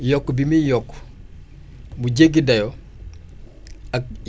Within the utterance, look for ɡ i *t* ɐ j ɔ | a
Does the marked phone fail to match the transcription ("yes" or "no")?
yes